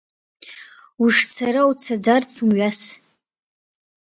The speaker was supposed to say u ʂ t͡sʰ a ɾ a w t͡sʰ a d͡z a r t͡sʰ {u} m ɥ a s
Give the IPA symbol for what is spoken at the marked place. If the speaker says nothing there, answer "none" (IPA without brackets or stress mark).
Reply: u